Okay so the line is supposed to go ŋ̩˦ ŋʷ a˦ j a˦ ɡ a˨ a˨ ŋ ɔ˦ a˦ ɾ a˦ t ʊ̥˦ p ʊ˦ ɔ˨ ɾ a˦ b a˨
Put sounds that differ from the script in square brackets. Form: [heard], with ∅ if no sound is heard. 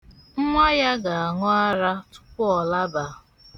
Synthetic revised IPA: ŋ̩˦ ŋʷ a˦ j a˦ ɡ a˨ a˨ ŋ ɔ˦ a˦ ɾ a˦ t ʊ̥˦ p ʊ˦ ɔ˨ [l] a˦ b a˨